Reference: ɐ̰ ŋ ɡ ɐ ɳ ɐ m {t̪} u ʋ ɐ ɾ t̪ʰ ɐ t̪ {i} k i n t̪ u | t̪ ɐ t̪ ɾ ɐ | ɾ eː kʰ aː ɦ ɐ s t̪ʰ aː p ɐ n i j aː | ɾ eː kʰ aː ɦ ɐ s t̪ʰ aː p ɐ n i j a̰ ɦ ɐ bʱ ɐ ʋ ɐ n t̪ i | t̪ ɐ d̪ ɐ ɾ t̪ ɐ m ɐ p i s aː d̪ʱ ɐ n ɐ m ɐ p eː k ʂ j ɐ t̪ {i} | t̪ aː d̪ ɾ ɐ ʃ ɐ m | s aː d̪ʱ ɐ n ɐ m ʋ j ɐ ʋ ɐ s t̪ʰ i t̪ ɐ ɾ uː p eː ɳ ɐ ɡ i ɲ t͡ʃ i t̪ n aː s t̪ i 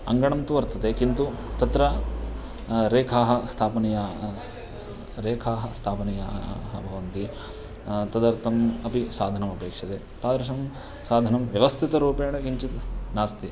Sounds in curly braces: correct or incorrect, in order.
correct, incorrect, incorrect

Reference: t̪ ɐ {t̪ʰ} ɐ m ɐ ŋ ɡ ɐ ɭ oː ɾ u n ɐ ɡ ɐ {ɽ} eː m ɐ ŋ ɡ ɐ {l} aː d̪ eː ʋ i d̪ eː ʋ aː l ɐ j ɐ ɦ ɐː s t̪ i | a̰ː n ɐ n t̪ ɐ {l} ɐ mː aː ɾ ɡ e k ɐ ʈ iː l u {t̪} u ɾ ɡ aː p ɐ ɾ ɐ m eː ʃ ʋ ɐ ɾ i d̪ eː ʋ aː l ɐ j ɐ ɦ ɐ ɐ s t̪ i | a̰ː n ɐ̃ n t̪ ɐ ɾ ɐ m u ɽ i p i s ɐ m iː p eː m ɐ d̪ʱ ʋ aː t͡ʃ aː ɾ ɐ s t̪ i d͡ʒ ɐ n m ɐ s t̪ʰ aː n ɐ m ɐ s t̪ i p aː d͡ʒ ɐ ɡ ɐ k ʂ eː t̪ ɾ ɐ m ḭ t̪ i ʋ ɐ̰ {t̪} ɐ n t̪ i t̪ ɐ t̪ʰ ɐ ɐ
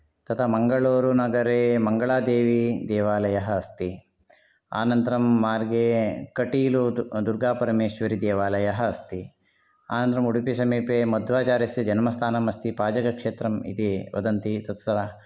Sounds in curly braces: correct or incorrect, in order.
correct, incorrect, incorrect, incorrect, incorrect, incorrect

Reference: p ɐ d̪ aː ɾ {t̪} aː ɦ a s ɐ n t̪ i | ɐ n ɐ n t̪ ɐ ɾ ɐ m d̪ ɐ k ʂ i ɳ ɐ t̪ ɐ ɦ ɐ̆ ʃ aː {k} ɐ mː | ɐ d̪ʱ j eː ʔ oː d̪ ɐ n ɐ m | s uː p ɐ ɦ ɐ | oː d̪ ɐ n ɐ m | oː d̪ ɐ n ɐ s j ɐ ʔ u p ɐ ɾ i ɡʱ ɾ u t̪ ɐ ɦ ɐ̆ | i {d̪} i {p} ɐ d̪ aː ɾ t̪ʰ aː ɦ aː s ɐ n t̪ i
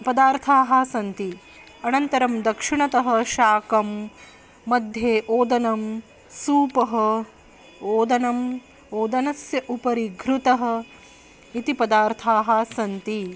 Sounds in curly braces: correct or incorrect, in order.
incorrect, correct, incorrect, correct

